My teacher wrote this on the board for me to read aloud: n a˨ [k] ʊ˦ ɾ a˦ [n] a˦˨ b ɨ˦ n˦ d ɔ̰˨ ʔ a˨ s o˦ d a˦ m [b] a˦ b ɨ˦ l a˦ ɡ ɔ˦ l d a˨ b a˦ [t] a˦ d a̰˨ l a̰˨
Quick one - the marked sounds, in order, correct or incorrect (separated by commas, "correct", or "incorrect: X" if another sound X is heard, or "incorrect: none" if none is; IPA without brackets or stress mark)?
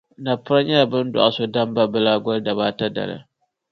incorrect: p, incorrect: ɲ, correct, correct